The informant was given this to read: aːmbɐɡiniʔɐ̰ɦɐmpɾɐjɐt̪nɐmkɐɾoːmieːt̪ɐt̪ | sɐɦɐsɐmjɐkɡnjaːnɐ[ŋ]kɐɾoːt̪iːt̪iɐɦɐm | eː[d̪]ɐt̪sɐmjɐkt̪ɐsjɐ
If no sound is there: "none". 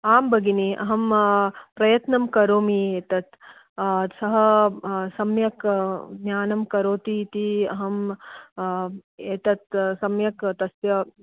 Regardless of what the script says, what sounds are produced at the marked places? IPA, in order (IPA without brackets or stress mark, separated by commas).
m, t̪